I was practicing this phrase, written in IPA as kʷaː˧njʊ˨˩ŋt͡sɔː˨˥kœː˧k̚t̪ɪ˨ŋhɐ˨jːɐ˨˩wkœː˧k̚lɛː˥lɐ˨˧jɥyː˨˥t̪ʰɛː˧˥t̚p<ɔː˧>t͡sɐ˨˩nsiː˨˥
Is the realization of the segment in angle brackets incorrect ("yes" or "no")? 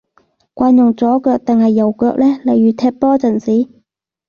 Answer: yes